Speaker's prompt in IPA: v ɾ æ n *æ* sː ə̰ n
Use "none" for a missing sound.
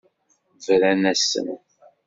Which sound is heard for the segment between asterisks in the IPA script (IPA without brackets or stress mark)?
æ